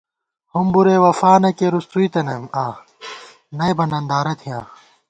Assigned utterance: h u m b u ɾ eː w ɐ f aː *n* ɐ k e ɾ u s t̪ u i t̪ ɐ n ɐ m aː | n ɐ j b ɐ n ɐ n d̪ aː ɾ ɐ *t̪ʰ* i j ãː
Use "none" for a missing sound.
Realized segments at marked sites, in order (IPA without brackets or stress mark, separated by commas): n, t̪ʰ